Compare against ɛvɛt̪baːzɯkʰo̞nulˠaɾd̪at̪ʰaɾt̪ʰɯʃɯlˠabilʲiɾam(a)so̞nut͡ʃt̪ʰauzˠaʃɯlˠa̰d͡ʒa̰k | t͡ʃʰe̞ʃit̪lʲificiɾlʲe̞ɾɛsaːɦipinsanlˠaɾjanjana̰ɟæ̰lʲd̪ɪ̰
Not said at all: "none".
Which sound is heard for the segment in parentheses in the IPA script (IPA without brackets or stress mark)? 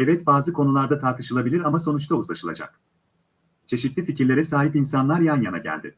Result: a